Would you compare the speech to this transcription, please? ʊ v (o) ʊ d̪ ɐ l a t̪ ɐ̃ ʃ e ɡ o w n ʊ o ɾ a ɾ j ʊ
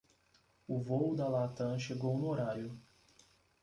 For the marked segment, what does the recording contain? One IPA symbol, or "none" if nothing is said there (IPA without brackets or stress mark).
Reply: o